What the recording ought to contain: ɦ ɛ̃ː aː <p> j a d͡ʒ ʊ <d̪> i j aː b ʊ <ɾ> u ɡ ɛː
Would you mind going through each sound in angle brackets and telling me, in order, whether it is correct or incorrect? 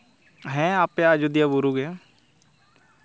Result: correct, correct, correct

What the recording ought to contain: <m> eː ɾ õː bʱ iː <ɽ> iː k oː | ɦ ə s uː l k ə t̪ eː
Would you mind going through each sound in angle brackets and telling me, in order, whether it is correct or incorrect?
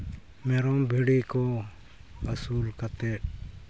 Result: correct, correct

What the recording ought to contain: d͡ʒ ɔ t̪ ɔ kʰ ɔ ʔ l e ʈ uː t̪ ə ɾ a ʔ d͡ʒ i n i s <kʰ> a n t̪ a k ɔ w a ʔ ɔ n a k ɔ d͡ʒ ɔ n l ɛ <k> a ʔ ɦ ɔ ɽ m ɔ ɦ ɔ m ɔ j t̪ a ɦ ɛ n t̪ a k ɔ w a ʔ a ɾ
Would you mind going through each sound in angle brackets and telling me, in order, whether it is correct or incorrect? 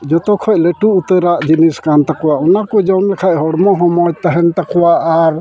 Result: incorrect: k, incorrect: kʰ

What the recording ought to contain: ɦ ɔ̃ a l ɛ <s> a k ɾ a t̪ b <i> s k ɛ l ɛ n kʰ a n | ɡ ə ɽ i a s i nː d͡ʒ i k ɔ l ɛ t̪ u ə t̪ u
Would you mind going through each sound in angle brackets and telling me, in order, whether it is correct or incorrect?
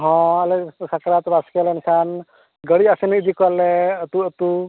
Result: correct, incorrect: a

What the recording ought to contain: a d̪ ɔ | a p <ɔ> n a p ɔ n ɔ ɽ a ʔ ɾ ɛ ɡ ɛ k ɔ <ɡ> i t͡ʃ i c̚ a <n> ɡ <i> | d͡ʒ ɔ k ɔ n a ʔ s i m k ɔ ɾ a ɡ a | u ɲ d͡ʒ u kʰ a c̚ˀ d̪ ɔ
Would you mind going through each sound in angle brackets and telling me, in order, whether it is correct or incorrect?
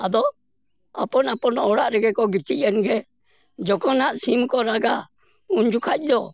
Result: correct, correct, correct, incorrect: ɛ

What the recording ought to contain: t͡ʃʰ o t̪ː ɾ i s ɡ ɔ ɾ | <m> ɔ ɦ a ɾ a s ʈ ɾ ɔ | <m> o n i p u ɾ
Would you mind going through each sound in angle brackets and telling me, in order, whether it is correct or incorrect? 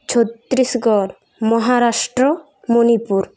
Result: correct, correct

